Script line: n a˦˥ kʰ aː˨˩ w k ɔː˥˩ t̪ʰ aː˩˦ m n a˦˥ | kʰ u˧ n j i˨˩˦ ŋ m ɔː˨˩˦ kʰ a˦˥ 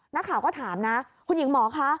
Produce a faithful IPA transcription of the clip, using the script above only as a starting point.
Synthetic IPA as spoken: n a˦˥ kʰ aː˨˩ w k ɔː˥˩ t̪ʰ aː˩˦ m n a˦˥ | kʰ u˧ n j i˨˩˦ ŋ m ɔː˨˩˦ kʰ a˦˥